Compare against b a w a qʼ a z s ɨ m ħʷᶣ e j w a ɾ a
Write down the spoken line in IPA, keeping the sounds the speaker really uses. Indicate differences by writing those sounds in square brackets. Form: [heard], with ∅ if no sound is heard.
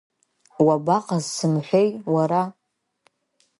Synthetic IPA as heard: [w] a [b] a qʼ a z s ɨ m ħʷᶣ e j w a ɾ a